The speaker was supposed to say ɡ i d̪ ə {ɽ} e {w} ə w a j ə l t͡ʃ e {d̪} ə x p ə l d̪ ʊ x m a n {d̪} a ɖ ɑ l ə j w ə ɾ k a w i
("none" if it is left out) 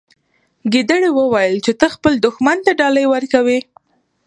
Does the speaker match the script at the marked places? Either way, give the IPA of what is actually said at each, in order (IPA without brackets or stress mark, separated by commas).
ɽ, w, t̪, t̪